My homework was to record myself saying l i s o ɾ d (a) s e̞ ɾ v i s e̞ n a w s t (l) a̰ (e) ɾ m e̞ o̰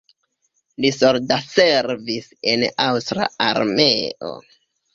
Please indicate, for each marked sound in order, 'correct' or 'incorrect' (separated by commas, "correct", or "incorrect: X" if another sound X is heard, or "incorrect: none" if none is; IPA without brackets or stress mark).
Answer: correct, incorrect: ɾ, incorrect: a